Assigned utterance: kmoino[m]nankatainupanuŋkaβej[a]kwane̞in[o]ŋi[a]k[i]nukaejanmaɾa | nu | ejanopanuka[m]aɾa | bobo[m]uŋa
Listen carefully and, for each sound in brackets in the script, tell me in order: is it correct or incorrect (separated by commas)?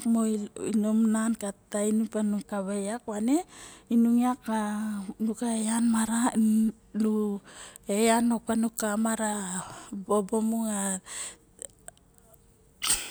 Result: correct, correct, incorrect, correct, incorrect, correct, correct